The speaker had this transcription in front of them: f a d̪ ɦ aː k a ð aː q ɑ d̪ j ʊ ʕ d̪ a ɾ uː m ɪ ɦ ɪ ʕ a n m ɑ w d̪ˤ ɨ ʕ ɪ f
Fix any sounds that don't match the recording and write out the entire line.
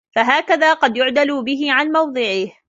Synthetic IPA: f a ɦ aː k a ð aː q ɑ d̪ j ʊ ʕ d̪ a l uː b ɪ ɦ ɪ ʕ a n m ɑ w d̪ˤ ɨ ʕ ɪ h